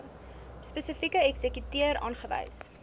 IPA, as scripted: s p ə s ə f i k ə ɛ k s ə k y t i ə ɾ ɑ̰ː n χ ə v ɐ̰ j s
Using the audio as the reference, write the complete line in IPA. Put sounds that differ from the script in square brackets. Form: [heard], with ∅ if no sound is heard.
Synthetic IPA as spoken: s p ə s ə f i k ə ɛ k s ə k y t i ə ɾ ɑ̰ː n χ ə v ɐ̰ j s